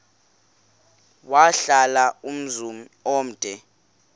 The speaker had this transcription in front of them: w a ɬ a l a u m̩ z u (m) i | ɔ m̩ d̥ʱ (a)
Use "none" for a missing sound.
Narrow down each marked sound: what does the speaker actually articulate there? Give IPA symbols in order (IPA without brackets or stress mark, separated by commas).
m, ɛ